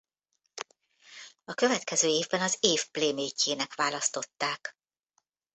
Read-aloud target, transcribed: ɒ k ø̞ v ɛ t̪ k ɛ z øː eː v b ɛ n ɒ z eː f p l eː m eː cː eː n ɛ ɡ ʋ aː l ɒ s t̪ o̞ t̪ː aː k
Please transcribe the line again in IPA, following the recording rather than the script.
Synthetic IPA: ɒ k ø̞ v ɛ t̪ k ɛ z øː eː v b ɛ n ɒ z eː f p l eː m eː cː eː n ɛ k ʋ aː l ɒ s t̪ o̞ t̪ː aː k